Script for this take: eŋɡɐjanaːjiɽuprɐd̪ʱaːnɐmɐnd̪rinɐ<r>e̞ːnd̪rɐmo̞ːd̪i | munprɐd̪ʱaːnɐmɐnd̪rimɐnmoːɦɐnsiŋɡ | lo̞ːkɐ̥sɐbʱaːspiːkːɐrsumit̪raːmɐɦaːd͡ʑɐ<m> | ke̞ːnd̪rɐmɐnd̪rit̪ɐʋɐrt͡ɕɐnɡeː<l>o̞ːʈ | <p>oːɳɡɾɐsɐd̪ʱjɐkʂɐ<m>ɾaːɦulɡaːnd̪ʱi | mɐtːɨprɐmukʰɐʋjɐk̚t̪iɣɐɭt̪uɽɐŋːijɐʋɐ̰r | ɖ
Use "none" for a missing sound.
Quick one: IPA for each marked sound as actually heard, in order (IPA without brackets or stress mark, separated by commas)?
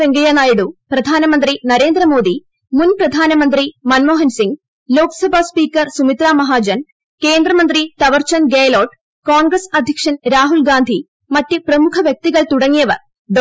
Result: ɾ, n, l, k, n